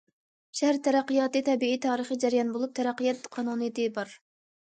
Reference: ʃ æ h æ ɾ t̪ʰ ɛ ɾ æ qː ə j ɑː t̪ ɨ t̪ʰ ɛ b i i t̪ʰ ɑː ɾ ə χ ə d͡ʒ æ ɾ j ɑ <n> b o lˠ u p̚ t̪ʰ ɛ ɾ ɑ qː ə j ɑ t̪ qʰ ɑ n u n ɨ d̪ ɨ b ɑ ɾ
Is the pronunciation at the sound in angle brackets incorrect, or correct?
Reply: correct